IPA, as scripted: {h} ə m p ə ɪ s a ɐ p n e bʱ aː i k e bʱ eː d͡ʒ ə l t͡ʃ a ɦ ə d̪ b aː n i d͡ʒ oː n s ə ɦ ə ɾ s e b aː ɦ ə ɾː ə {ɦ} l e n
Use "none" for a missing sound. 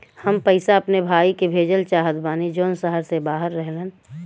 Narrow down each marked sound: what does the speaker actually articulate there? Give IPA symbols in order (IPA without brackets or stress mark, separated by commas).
h, ɦ